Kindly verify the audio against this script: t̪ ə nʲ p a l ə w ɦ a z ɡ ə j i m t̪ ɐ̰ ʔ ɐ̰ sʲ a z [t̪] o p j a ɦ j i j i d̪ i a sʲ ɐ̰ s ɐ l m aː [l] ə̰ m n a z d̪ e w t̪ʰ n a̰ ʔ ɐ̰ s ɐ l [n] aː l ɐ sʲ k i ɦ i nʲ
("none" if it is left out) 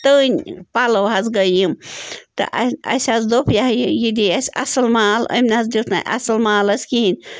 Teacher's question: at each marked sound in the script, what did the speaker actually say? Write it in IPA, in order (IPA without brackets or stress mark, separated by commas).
d̪, l, m